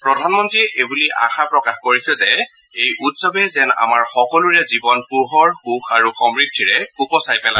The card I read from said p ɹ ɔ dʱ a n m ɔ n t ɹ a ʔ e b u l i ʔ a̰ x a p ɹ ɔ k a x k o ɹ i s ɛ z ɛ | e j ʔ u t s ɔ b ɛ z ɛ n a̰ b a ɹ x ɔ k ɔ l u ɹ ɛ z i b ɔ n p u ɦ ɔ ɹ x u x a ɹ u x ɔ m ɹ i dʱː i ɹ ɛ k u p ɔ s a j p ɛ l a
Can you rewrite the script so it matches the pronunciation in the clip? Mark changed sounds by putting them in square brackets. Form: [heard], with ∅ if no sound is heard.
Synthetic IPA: p ɹ ɔ dʱ a n m ɔ n t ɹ [i] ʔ e b u l i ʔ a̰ x a p ɹ ɔ k a x k o ɹ i s ɛ z ɛ | e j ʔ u t s ɔ b ɛ z ɛ n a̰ [m] a ɹ x ɔ k ɔ l u ɹ ɛ z i b ɔ n p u ɦ ɔ ɹ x u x a ɹ u x ɔ m ɹ i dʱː i ɹ ɛ k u p ɔ s a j p ɛ l a

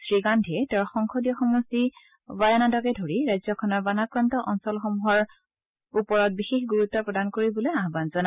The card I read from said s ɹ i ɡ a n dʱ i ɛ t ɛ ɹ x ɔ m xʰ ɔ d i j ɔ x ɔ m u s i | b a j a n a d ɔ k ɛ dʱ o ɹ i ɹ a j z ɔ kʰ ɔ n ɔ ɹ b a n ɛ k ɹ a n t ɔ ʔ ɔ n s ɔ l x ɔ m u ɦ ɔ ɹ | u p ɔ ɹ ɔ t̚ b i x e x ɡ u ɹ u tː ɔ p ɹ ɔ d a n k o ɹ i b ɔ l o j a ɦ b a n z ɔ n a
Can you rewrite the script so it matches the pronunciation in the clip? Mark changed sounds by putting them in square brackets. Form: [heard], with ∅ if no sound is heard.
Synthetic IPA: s ɹ i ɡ a n dʱ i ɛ t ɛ ɹ x ɔ [ŋ] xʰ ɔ d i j ɔ x ɔ m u s i | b a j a n a d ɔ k ɛ dʱ o ɹ i ɹ a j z ɔ kʰ ɔ n ɔ ɹ b a n [a] k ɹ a n t ɔ ʔ ɔ n s ɔ l x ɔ m u ɦ ɔ ɹ | u p ɔ ɹ ɔ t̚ b i x e x ɡ u ɹ u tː ɔ p ɹ ɔ d a n k o ɹ i b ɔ l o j a ɦ b a n z ɔ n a

